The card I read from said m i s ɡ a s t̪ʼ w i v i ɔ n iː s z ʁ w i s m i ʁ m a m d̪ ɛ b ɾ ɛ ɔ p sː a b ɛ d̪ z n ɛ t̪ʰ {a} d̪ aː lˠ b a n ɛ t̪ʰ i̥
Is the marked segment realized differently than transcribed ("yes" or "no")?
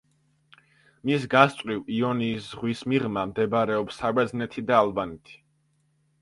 yes